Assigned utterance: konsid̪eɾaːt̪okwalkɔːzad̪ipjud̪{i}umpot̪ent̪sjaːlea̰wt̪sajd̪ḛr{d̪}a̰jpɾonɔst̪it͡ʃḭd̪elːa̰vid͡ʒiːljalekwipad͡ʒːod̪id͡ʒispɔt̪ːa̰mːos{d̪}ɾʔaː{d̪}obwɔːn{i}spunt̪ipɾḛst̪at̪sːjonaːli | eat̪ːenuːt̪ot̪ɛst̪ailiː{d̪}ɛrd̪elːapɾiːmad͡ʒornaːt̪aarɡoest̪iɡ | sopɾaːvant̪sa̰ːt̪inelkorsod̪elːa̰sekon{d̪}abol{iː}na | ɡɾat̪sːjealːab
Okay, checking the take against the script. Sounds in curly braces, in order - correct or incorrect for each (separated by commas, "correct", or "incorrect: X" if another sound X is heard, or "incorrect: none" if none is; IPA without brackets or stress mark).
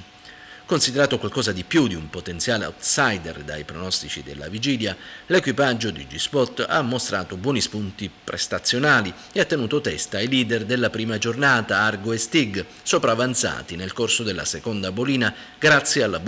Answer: correct, correct, incorrect: t̪, incorrect: t̪, correct, correct, correct, correct